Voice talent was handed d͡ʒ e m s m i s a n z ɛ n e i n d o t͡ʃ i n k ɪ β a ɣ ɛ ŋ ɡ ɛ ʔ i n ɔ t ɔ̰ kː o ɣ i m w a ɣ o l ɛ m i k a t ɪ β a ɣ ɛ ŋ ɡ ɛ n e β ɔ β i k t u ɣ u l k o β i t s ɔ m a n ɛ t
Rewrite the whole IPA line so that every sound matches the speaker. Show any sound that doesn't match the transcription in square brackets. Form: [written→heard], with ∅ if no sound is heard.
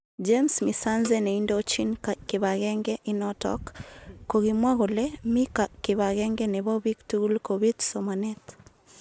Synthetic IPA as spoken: d͡ʒ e m s m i s a n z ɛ n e i n d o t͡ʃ i n k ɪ β a ɣ ɛ ŋ ɡ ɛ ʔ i n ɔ t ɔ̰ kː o ɣ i m w a ɣ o l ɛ m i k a [t→k] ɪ β a ɣ ɛ ŋ ɡ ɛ n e β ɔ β i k t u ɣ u l k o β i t s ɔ m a n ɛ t